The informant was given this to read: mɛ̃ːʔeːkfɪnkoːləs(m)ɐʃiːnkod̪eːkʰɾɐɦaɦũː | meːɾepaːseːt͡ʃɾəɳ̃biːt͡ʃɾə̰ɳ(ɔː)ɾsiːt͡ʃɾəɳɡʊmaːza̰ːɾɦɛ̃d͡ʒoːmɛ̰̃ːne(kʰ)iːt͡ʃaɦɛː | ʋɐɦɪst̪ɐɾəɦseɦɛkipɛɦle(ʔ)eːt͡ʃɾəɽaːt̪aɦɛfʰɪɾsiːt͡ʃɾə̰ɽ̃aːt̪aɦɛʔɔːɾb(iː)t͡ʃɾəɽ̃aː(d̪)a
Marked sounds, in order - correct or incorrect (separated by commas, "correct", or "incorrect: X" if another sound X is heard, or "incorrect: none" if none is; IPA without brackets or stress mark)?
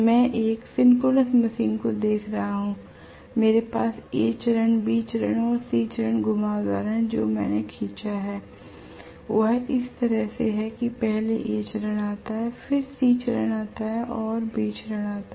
correct, correct, correct, correct, correct, incorrect: t̪